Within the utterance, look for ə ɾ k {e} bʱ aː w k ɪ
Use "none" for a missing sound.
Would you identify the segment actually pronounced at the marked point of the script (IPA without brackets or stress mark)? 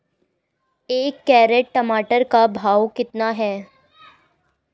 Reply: a